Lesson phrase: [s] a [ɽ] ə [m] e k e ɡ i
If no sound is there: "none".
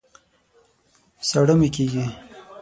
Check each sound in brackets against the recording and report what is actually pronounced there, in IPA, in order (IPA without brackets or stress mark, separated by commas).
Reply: s, ɽ, m